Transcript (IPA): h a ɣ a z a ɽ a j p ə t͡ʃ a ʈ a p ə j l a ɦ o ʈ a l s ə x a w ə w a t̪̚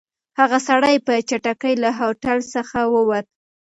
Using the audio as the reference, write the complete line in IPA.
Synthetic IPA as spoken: h a ɣ a s a ɽ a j p ə t͡ʃ a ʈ a k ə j l a ɦ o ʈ a l s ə x a w ə w a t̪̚